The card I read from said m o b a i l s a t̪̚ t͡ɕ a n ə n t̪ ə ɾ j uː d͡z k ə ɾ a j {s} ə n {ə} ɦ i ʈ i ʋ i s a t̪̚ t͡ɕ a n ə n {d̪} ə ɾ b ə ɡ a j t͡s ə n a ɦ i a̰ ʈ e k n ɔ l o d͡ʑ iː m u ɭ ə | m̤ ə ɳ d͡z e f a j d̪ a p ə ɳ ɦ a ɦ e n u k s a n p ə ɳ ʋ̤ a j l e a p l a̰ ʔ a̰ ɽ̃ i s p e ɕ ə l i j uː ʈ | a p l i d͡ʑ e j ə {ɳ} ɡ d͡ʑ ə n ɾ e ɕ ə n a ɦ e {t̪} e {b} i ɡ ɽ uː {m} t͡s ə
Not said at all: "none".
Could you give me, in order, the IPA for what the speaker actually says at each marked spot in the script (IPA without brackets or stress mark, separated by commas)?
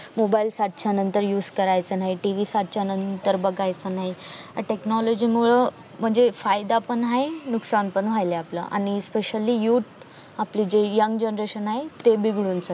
t͡s, a, t̪, ŋ, t̪, b, n